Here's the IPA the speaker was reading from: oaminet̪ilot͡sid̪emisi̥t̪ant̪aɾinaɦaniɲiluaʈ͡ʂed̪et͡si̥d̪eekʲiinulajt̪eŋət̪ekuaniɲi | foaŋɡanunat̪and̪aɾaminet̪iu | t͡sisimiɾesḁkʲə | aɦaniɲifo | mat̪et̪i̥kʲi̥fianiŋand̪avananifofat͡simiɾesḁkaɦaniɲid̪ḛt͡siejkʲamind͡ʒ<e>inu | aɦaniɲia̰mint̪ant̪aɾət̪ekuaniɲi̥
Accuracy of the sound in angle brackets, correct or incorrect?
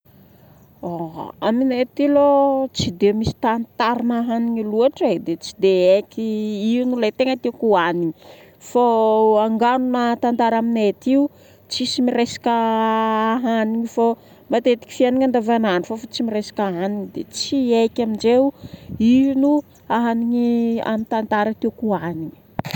correct